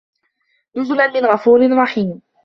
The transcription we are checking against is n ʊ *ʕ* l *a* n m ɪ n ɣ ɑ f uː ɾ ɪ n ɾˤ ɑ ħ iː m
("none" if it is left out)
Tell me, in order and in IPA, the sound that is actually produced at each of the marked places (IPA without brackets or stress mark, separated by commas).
z, a